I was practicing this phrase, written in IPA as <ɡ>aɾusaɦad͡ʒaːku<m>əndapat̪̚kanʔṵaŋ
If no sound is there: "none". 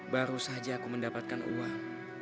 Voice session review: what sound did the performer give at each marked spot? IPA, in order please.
b, m

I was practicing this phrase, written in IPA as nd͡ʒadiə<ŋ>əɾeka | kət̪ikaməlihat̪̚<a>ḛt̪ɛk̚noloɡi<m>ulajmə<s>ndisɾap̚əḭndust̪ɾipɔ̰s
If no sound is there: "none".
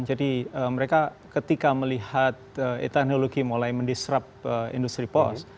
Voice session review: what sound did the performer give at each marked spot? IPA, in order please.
m, ə, m, none

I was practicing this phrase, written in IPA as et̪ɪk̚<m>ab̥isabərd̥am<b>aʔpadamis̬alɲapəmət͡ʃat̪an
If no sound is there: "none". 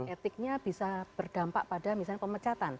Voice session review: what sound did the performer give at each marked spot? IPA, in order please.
ɲ, p

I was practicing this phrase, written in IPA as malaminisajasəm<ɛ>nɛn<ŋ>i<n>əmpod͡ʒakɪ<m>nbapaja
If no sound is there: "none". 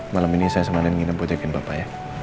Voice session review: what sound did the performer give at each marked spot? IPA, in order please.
a, ŋ, n, none

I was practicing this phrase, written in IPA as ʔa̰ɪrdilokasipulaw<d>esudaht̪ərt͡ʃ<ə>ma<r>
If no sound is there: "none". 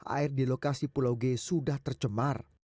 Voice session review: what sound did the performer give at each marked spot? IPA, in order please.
ɡ, ə, r

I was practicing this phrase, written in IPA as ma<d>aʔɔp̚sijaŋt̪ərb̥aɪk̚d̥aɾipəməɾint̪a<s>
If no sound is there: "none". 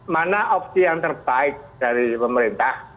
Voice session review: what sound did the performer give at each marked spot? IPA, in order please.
n, h

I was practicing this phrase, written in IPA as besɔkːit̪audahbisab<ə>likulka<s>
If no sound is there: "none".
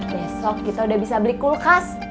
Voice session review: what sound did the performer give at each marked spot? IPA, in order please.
ə, s

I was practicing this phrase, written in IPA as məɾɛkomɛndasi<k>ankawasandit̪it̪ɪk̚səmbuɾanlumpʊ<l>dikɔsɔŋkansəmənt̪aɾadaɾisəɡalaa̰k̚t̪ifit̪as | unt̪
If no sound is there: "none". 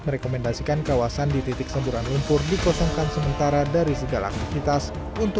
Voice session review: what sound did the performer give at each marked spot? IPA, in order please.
k, r

